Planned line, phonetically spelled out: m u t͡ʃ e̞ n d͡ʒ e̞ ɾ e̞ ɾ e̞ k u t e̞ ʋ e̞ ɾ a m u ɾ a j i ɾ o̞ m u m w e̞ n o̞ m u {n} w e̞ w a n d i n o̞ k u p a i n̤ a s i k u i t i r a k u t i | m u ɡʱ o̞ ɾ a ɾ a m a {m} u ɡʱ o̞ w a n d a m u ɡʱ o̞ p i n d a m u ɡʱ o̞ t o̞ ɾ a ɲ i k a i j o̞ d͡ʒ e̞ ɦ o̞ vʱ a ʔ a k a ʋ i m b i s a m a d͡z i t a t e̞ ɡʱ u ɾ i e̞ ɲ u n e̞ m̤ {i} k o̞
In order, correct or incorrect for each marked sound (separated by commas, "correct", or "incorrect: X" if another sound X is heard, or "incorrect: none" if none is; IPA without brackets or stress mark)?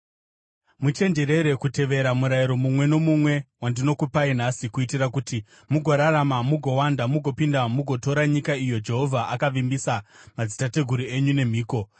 incorrect: m, correct, incorrect: iː